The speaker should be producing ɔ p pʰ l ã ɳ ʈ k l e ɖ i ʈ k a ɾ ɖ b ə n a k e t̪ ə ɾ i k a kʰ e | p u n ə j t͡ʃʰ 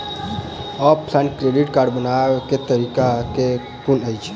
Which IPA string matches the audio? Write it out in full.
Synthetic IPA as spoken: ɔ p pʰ l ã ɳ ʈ k ɾ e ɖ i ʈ k a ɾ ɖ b ə n a k e t̪ ə ɾ i k a k e | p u n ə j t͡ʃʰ